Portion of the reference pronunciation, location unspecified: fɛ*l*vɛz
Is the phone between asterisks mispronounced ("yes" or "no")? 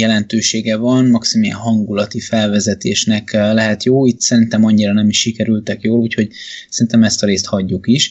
no